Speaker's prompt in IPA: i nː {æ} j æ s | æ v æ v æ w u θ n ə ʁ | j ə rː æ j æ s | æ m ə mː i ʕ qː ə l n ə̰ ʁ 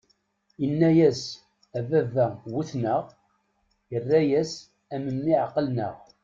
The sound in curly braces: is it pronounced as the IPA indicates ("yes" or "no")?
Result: yes